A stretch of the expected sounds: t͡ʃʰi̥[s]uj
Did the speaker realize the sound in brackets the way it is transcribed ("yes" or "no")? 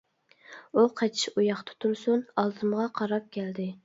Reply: no